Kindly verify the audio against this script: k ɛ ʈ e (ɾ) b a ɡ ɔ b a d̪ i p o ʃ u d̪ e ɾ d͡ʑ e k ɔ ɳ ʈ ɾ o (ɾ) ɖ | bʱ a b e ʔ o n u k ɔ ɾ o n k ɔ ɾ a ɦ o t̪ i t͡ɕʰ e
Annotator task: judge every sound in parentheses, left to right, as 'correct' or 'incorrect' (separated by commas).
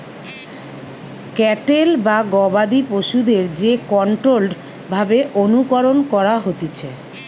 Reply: incorrect, incorrect